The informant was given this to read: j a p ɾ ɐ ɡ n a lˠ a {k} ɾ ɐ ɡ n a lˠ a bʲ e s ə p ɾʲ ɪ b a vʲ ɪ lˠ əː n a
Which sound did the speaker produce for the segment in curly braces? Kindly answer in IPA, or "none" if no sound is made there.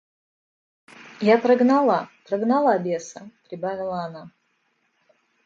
p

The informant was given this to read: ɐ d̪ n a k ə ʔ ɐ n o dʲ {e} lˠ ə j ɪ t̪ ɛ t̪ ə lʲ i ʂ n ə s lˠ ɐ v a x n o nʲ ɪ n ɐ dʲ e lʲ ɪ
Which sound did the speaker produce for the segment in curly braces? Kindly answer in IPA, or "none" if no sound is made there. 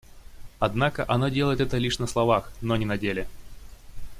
e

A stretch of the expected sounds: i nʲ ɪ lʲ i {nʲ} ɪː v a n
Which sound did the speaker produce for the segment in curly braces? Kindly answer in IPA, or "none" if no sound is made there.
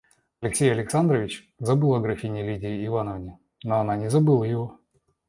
dʲ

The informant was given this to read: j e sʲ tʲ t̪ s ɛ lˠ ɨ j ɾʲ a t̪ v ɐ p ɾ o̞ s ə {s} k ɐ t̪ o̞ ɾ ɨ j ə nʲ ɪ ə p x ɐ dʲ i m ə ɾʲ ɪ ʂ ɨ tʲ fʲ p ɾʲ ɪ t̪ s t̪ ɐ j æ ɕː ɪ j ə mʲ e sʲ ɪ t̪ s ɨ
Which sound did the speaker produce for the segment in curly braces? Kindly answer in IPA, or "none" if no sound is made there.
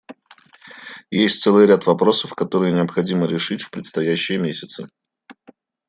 f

